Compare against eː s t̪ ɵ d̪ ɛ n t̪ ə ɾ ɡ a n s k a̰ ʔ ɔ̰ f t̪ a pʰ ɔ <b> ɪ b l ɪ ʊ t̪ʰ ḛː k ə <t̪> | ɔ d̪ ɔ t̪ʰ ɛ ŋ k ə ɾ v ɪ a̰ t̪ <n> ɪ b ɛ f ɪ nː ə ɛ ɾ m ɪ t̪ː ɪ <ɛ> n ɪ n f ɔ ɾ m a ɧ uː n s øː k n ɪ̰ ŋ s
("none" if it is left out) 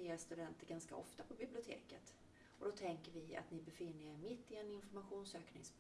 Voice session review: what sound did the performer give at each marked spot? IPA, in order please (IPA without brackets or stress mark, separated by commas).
b, t̪, n, ɛ